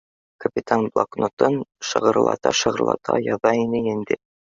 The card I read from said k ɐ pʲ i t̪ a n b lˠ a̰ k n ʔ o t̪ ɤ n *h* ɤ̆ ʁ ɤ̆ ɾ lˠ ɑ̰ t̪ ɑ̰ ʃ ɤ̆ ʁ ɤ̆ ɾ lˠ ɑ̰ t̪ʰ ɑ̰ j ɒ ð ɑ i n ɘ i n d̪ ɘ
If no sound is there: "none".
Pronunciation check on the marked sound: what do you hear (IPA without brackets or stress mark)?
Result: ʃ